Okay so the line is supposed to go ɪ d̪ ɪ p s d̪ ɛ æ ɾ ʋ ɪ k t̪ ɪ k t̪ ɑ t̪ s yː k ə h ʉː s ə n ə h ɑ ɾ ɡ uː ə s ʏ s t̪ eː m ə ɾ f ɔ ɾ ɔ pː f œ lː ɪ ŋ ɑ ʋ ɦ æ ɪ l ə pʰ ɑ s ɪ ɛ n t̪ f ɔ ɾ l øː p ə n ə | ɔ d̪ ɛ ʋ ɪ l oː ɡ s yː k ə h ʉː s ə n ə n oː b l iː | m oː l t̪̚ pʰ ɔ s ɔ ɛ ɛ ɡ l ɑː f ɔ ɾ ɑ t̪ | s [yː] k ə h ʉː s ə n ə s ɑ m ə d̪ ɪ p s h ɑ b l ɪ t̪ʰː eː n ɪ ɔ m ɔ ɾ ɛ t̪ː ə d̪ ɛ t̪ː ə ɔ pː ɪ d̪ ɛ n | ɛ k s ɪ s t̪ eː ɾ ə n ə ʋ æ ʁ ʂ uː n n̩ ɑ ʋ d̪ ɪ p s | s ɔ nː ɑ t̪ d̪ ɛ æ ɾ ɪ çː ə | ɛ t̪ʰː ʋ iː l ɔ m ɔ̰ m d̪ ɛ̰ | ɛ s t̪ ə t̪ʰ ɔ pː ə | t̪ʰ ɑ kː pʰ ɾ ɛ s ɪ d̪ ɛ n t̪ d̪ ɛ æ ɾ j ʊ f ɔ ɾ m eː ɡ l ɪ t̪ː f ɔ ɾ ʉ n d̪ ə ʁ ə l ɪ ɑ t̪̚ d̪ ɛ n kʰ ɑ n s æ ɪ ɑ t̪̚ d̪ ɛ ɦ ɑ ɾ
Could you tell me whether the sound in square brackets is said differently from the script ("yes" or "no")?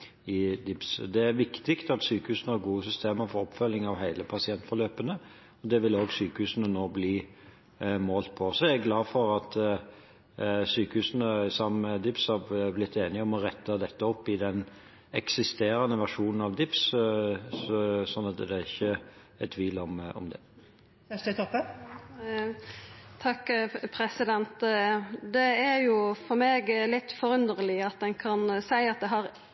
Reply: no